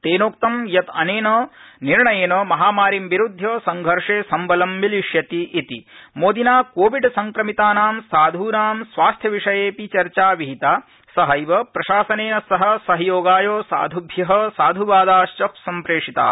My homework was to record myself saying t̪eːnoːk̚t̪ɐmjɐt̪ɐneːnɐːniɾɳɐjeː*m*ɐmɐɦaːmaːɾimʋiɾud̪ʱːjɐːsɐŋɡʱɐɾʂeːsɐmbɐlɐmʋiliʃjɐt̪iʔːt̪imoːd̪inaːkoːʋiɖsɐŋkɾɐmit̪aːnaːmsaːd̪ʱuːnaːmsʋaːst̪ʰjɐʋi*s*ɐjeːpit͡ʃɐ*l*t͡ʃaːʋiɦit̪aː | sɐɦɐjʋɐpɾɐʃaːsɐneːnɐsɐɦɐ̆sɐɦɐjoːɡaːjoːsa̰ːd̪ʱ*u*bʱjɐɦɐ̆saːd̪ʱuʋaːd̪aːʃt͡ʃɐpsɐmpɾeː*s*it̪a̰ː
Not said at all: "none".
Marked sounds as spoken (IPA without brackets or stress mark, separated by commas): n, ʂ, ɾ, u, ʂ